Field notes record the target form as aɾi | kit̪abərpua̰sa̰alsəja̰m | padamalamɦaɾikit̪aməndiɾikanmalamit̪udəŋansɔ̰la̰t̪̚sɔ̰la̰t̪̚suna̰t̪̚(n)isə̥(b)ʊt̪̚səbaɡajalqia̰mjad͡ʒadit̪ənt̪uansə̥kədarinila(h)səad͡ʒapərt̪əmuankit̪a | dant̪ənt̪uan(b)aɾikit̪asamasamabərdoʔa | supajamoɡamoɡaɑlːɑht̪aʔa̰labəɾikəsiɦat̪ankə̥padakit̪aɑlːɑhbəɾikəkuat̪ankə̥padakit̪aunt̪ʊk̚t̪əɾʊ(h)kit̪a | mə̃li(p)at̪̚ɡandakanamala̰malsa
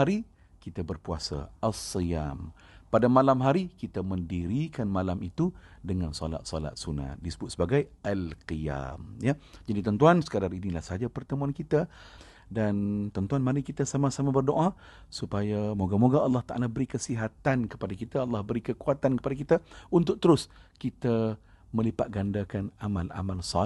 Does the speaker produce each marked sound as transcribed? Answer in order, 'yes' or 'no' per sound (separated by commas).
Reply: no, yes, yes, no, no, yes